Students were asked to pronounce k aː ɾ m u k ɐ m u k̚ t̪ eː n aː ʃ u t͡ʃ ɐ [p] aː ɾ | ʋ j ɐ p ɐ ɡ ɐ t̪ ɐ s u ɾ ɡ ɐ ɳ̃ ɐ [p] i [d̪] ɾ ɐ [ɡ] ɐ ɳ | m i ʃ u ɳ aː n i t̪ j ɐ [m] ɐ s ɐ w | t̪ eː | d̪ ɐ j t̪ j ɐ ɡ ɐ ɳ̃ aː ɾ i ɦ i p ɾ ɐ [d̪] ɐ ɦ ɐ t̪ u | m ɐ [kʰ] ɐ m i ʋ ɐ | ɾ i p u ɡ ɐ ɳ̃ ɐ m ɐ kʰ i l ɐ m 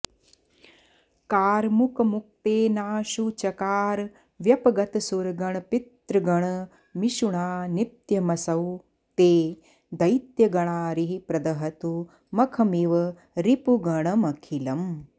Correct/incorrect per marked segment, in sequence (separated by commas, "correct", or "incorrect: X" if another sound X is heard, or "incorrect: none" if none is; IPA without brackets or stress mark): incorrect: k, correct, incorrect: t̪, correct, correct, correct, correct